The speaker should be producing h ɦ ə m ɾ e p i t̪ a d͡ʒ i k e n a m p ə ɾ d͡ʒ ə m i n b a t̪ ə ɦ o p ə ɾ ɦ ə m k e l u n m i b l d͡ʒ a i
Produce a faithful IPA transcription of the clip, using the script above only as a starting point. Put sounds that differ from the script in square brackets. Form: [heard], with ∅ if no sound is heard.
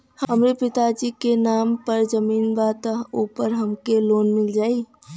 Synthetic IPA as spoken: h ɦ ə m ɾ e p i t̪ a d͡ʒ i k e n a m p ə ɾ d͡ʒ ə m i n b a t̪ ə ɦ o p ə ɾ ɦ ə m k e l [o] n m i [∅] l d͡ʒ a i